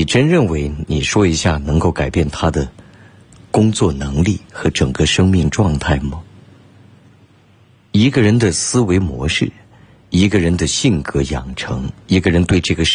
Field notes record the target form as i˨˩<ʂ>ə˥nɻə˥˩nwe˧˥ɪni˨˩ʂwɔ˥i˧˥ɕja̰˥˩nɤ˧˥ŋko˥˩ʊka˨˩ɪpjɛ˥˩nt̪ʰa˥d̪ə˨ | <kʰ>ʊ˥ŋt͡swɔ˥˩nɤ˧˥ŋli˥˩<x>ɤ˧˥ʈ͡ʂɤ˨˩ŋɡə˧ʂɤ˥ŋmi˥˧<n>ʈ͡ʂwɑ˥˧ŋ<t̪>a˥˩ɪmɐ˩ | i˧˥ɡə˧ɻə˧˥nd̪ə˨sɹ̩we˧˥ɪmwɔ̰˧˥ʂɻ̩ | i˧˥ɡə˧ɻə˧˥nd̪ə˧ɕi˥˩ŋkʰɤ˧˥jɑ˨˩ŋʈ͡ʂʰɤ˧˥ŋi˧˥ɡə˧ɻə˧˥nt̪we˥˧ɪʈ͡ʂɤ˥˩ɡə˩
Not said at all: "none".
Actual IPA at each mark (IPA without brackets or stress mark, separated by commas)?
ʈ͡ʂ, k, x, ŋ, t̪ʰ